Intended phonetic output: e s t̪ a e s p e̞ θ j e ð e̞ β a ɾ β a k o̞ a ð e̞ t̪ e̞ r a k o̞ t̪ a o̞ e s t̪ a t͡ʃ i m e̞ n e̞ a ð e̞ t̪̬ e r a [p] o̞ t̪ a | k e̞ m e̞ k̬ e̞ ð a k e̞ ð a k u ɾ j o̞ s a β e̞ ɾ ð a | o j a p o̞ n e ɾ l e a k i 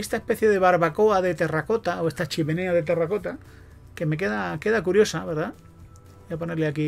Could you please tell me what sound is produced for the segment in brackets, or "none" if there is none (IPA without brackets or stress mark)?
k